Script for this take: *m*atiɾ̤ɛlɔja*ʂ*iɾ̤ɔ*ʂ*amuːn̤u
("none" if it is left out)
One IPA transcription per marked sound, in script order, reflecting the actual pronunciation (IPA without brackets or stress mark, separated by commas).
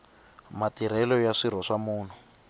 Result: m, ʂ, ʂ